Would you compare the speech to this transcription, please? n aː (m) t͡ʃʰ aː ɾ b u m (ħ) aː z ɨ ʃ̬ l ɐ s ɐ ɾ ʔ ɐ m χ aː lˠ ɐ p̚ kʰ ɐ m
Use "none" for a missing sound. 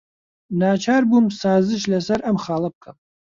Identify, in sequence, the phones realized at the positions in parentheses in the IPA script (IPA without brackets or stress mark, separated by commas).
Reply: none, s